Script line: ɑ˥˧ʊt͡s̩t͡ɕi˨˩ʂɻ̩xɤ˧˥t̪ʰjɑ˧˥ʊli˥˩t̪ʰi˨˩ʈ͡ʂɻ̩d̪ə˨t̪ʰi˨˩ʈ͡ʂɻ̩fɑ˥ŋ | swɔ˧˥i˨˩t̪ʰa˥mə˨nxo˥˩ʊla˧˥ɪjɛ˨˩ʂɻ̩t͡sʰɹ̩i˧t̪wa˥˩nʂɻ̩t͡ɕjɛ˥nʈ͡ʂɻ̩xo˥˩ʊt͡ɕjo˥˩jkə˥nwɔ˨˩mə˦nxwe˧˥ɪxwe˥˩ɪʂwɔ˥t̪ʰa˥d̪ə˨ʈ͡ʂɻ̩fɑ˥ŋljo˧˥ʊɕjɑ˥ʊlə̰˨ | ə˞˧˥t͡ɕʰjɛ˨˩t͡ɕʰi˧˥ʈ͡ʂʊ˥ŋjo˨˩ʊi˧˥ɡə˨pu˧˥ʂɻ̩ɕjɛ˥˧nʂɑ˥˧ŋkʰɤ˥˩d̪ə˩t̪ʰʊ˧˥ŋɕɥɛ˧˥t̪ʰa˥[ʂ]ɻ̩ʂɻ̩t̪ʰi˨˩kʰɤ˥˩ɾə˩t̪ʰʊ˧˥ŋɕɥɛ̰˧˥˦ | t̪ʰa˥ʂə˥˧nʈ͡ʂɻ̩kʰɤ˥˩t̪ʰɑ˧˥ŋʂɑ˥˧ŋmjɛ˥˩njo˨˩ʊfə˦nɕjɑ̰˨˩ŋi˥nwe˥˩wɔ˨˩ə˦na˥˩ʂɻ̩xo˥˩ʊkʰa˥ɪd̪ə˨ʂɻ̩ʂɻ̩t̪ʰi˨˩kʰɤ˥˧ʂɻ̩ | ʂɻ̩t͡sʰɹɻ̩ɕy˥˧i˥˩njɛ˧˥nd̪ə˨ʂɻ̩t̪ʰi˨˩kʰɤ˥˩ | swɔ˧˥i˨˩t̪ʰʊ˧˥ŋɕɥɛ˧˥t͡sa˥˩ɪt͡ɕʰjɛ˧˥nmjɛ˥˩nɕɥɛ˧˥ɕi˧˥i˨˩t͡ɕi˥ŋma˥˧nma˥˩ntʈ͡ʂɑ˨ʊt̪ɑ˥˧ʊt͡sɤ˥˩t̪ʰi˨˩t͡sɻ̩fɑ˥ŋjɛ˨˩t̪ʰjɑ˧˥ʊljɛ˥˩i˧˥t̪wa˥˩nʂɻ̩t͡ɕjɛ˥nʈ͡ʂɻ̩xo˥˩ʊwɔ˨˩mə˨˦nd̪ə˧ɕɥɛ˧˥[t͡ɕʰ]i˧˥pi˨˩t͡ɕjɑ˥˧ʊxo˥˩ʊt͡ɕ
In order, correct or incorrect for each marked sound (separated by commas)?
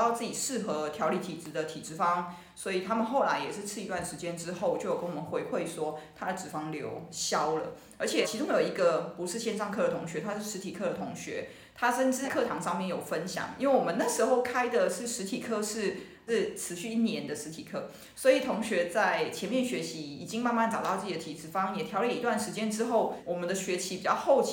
correct, correct